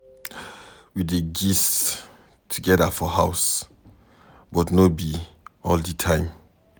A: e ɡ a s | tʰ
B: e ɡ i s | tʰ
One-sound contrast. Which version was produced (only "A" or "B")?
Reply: B